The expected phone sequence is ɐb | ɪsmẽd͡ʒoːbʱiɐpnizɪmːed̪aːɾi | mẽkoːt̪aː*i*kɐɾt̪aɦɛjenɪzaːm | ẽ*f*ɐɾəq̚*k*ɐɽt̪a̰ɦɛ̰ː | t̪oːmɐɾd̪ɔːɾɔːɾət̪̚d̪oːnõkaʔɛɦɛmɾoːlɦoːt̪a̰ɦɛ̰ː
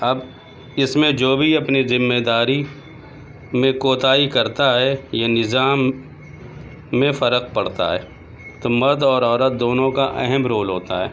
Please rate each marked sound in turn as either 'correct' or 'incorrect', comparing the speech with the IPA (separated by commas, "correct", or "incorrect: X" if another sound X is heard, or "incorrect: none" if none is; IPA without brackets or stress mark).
correct, correct, incorrect: p